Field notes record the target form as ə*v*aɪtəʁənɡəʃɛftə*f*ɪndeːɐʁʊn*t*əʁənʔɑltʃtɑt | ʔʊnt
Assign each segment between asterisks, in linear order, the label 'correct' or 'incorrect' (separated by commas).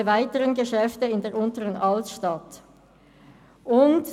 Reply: correct, incorrect, correct